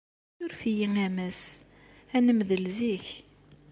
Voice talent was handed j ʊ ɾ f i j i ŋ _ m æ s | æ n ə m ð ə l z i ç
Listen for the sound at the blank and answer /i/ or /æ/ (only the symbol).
æ